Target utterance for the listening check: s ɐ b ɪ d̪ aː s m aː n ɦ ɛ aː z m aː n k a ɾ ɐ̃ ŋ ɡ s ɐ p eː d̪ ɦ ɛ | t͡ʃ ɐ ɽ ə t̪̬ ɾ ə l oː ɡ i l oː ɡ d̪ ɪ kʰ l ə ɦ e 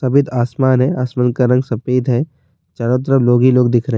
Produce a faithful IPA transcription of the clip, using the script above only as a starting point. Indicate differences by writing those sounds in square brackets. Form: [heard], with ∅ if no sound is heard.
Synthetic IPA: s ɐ b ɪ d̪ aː s m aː n ɦ ɛ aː [s] m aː n k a ɾ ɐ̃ ŋ ɡ s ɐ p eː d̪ ɦ ɛ | t͡ʃ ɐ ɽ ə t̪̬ ɾ ə l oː ɡ i l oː ɡ d̪ ɪ kʰ [ɾ] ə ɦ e